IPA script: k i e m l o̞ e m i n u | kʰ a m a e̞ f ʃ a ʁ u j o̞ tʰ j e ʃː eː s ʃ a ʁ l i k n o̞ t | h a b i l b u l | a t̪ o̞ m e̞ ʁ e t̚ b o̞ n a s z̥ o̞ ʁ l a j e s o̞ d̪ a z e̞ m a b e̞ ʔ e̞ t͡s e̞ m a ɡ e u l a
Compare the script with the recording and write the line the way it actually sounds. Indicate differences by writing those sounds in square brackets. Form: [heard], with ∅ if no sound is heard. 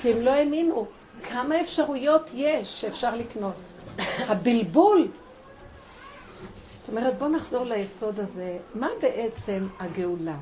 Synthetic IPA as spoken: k i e m l o̞ e m i n u | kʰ a m a e̞ f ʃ a ʁ u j o̞ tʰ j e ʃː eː [f] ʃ a ʁ l i k n o̞ t | h a b i l b u l | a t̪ o̞ m e̞ ʁ e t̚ b o̞ n a [χ] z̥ o̞ ʁ l a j e s o̞ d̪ a z e̞ m a b e̞ ʔ e̞ t͡s e̞ m a ɡ e u l a